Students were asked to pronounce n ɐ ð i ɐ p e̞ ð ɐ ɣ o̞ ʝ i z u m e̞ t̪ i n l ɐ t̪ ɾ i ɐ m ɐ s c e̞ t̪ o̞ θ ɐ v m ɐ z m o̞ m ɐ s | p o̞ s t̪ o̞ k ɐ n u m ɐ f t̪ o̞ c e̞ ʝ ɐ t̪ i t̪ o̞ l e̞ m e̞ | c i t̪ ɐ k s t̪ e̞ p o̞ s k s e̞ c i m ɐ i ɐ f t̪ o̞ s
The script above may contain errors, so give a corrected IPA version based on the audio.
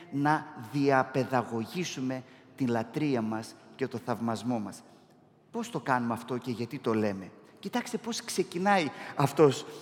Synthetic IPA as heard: n ɐ ð i ɐ p e̞ ð ɐ ɣ o̞ ʝ i s u m e̞ t̪ i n l ɐ t̪ ɾ i ɐ m ɐ s c e̞ t̪ o̞ θ ɐ v m ɐ z m o̞ m ɐ s | p o̞ s t̪ o̞ k ɐ n u m ɐ f t̪ o̞ c e̞ ʝ ɐ t̪ i t̪ o̞ l e̞ m e̞ | c i t̪ ɐ k s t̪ e̞ p o̞ s k s e̞ c i n ɐ i ɐ f t̪ o̞ s